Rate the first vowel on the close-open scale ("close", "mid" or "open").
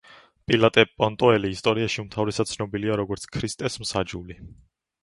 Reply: close